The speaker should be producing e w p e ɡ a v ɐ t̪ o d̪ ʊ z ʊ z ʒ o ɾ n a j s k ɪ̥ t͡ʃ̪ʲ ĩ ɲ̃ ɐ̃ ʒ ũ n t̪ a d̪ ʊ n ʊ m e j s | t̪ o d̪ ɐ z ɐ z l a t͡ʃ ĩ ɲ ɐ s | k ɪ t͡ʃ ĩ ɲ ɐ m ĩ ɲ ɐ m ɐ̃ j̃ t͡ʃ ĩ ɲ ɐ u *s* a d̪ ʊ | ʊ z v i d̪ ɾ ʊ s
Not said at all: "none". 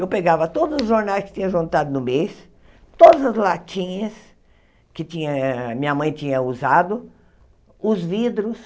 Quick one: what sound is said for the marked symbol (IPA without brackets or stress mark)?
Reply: z